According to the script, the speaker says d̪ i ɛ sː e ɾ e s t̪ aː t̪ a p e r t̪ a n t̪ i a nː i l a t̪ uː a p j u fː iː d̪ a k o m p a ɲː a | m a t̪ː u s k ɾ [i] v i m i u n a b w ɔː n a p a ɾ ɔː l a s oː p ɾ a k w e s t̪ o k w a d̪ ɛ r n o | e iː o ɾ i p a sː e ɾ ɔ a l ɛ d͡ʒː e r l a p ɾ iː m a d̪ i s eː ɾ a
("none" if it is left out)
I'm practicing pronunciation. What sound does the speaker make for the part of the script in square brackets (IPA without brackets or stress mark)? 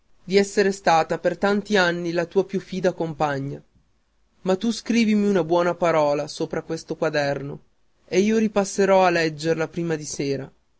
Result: iː